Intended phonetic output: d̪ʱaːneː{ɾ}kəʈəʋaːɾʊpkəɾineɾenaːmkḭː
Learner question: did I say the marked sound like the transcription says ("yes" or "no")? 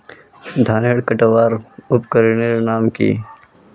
no